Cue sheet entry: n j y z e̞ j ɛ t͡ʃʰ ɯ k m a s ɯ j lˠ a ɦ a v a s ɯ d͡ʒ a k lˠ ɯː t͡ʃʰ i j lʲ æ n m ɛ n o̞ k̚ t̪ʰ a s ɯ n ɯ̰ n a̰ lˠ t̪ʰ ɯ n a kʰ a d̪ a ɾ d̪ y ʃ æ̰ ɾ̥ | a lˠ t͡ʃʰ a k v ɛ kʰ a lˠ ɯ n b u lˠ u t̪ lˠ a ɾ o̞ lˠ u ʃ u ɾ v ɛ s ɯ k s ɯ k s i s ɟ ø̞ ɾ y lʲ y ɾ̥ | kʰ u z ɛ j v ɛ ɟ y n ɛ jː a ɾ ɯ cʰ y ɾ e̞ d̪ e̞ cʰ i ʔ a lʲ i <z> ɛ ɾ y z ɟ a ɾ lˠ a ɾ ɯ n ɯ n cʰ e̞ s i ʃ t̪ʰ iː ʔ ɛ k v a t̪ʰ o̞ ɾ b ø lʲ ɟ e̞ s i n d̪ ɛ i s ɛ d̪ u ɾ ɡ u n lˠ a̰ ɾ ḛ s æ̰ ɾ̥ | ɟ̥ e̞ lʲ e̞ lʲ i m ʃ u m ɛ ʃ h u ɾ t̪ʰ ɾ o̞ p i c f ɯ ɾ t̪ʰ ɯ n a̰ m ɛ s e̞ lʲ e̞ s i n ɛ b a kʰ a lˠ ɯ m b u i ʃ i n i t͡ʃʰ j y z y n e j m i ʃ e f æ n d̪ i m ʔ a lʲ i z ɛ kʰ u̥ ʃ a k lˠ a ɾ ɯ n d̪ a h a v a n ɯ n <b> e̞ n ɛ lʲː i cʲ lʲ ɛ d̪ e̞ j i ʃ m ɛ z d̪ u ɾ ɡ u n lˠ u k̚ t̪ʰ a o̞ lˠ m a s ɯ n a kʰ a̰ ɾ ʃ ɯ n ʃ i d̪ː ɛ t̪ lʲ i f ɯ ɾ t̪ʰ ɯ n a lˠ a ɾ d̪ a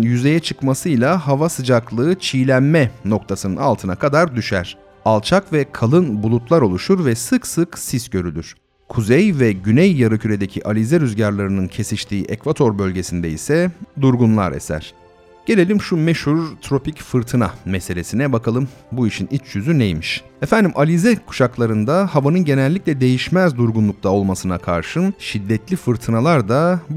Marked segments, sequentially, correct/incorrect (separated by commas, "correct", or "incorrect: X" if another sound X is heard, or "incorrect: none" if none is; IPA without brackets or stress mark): correct, incorrect: ɟ